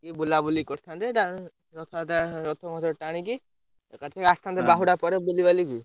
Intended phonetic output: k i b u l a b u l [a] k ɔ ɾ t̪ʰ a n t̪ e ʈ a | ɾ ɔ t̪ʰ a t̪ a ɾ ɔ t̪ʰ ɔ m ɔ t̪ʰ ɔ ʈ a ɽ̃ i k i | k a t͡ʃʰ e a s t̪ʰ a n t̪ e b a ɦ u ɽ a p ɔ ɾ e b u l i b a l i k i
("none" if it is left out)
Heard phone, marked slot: i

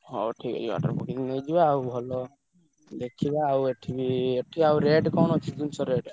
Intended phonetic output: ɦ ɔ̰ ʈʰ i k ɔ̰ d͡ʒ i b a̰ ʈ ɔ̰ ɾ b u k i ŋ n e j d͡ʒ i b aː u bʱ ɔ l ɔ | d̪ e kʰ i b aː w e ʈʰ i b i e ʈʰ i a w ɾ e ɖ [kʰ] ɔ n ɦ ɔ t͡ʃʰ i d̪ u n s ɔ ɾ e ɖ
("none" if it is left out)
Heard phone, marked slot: k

